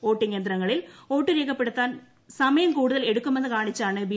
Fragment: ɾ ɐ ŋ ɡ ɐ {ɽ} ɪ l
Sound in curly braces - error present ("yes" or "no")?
yes